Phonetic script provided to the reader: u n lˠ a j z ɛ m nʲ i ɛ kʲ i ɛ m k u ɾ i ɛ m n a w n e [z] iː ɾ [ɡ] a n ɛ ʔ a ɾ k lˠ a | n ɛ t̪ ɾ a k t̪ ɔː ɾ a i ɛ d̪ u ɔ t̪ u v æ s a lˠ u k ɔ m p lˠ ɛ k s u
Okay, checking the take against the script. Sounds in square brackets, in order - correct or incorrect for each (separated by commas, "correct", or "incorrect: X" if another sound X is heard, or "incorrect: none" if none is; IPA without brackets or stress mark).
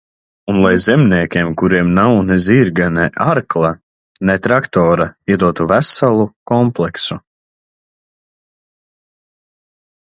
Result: correct, correct